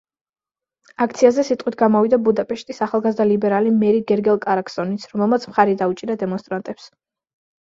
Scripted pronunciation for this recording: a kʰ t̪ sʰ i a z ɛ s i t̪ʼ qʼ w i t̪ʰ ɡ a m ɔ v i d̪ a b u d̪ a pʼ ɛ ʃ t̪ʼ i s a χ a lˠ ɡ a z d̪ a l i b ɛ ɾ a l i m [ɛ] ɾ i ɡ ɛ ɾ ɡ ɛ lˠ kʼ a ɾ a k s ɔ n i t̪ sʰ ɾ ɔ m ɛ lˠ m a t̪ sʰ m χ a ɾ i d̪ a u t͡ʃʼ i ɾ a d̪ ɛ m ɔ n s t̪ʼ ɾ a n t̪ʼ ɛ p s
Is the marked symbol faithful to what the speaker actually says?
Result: yes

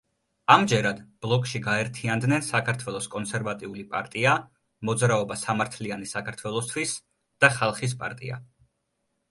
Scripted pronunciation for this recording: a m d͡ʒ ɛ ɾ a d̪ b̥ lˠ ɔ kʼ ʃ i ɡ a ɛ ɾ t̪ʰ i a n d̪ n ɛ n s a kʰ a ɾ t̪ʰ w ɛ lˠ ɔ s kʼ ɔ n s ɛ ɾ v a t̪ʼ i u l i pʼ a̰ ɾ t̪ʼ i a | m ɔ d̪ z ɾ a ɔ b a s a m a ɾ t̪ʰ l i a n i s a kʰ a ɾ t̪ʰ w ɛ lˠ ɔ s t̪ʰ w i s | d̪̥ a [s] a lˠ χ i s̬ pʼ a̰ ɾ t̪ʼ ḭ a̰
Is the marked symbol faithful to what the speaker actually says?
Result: no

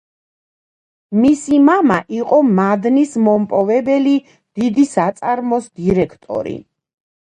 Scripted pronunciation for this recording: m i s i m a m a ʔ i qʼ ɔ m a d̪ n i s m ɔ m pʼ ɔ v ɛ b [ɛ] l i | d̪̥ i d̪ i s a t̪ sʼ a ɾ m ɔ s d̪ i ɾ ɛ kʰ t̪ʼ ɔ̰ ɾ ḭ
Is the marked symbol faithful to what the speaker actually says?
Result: yes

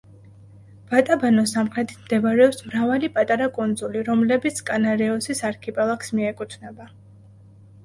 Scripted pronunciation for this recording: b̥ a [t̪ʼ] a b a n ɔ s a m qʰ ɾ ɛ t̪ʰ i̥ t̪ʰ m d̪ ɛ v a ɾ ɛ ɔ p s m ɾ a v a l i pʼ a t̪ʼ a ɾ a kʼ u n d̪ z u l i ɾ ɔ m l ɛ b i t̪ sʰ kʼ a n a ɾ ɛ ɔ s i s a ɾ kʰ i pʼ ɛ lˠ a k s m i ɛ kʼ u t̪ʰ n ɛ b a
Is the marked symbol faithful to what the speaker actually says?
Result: yes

